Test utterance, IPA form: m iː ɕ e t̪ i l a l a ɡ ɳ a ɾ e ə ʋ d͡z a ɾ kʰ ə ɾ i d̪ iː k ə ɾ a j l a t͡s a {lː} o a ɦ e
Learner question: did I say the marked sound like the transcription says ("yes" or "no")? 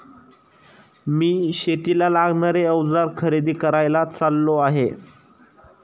yes